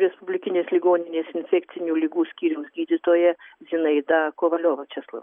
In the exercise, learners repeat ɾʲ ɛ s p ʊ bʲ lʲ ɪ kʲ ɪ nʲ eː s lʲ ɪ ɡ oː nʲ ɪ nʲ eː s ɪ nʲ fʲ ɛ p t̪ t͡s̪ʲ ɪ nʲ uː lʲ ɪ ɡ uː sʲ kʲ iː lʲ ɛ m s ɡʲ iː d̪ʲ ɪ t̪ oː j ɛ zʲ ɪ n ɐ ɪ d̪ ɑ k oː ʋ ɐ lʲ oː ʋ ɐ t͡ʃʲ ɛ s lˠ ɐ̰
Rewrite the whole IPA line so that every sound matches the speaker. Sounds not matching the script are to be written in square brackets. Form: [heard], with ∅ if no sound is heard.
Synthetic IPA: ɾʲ ɛ s p ʊ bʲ lʲ ɪ kʲ ɪ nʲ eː s lʲ ɪ ɡ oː nʲ ɪ nʲ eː s ɪ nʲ fʲ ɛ [k] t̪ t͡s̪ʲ ɪ nʲ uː lʲ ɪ ɡ uː sʲ kʲ iː [ɾʲ] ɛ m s ɡʲ iː d̪ʲ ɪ t̪ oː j ɛ zʲ ɪ n ɐ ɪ d̪ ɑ k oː ʋ ɐ lʲ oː ʋ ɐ t͡ʃʲ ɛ s lˠ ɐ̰